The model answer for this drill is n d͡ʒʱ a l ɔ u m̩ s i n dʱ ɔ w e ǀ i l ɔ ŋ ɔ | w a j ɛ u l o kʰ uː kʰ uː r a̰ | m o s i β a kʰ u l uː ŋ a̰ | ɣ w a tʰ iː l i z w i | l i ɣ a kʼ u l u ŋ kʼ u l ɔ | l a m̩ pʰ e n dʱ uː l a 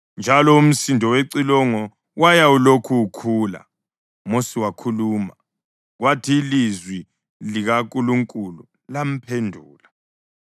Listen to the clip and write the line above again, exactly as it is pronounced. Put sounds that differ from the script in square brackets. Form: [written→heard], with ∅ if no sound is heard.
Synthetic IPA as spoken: n d͡ʒʱ a l ɔ u m̩ s i n dʱ ɔ w e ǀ i l ɔ ŋ ɔ | w a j [ɛ→a] u l o kʰ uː kʰ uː [r→l] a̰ | m o s i [β→w] a kʰ u l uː [ŋ→m] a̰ | ɣ w a tʰ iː l i z w i | l i ɣ a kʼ u l u ŋ kʼ u l [ɔ→u] | l a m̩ pʰ e n dʱ uː l a